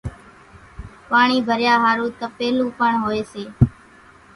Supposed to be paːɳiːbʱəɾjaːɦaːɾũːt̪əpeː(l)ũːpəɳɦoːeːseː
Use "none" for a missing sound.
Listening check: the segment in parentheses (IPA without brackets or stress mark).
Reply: l